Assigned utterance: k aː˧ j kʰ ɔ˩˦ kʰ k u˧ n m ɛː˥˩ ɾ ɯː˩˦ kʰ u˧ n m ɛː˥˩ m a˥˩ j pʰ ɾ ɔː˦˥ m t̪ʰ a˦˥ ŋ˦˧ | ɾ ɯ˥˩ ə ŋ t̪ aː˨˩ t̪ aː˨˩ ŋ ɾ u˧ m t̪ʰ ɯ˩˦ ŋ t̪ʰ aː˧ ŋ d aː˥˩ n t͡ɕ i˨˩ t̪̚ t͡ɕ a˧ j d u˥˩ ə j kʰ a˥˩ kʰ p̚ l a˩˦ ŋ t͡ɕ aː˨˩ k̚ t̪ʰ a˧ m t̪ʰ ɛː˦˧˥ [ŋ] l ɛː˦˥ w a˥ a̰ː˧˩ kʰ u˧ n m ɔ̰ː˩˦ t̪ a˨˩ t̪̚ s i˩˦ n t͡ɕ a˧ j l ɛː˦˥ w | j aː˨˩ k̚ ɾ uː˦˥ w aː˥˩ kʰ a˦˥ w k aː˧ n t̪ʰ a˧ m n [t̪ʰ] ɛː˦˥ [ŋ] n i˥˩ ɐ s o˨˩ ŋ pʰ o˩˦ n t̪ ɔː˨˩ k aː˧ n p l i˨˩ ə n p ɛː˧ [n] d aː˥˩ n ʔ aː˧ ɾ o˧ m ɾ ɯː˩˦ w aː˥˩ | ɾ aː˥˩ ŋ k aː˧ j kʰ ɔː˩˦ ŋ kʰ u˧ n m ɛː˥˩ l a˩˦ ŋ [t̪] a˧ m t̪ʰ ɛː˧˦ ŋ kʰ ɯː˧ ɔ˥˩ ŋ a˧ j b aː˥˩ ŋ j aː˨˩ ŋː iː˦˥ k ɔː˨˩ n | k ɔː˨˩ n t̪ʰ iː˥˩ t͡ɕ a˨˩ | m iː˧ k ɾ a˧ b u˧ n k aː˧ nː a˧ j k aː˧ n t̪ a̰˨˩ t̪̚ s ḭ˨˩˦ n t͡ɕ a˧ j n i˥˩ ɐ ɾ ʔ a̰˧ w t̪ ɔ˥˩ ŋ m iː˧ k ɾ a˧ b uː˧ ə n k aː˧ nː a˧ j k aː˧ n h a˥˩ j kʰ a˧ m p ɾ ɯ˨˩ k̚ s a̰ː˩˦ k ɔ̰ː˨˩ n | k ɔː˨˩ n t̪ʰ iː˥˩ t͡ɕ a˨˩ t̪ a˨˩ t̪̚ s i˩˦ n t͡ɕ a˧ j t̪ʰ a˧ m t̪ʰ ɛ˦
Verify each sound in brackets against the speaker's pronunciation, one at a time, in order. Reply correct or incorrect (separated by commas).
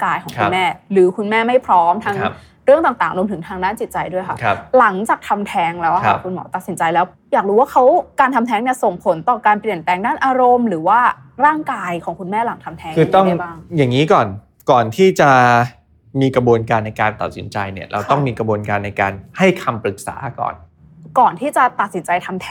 correct, correct, correct, incorrect, incorrect